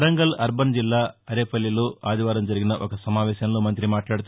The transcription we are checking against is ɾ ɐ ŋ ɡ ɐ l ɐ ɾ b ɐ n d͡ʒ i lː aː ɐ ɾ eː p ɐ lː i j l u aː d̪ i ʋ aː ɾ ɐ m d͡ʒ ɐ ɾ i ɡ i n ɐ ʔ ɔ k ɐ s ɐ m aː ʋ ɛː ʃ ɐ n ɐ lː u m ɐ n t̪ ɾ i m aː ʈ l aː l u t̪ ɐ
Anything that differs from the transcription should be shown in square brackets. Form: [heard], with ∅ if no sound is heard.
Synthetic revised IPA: ɾ ɐ ŋ ɡ ɐ l ɐ ɾ b ɐ n d͡ʒ i lː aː ɐ ɾ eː p ɐ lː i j l u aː d̪ i ʋ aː ɾ ɐ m d͡ʒ ɐ ɾ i ɡ i n ɐ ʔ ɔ k ɐ s ɐ m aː ʋ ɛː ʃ ɐ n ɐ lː u m ɐ n t̪ ɾ i m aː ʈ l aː [ɽ] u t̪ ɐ